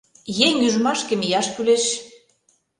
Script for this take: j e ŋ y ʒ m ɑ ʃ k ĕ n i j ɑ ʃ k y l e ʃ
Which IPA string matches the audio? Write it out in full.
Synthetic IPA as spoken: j e ŋ y ʒ m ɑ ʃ k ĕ m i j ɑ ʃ k y l e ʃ